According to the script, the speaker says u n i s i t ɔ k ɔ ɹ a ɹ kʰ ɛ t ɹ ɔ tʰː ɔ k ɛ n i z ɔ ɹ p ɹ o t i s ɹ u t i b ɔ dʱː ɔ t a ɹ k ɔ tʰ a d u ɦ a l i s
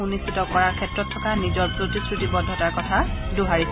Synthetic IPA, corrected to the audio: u n i s i t ɔ k ɔ ɹ a ɹ kʰ ɛ t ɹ ɔ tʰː ɔ k a n i z ɔ ɹ p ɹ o t i s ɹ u t i b ɔ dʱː ɔ t a ɹ k ɔ tʰ a d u ɦ a ɹ i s